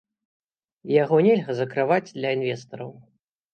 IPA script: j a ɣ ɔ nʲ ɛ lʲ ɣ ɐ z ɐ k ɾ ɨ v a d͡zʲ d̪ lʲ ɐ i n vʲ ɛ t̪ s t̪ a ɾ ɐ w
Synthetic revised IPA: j a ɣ ɔ nʲ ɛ lʲ ɣ ɐ z ɐ k ɾ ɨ v a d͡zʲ d̪ lʲ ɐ i n vʲ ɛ s t̪ ɐ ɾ ɐ w